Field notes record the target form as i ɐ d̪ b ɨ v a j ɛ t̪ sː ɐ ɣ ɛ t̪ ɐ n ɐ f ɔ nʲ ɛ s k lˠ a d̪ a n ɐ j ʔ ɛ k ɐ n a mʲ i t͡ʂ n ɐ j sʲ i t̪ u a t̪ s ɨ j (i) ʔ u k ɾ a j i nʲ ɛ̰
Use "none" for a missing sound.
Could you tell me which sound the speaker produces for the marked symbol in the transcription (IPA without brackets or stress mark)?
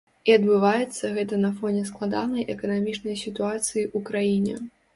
i